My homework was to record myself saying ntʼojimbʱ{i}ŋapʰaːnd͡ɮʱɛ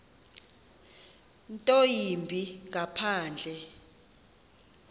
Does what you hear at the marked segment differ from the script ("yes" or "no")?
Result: no